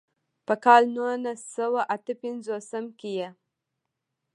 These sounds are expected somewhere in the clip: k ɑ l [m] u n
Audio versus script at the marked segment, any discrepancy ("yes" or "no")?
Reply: yes